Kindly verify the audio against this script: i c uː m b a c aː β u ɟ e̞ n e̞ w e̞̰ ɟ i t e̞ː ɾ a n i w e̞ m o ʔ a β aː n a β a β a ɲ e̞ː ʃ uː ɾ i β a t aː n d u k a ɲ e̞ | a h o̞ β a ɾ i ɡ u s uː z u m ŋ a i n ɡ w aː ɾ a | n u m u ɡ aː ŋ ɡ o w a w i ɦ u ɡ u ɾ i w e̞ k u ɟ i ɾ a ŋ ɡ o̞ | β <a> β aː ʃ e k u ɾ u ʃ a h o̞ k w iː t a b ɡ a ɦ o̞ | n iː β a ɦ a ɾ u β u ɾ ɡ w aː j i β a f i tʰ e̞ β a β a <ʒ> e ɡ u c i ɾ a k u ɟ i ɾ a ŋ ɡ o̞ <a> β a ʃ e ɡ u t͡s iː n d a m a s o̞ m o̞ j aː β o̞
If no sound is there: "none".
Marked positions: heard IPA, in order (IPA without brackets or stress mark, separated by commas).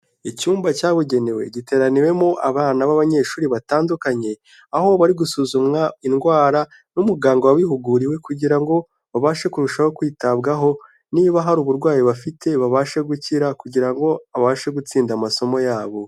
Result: a, ʃ, a